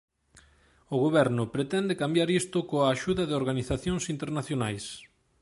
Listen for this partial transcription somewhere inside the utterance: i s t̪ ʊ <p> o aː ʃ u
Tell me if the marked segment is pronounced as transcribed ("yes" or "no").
no